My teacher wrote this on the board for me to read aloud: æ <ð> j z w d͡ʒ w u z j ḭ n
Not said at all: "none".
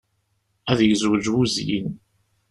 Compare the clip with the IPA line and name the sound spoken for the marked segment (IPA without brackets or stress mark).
ð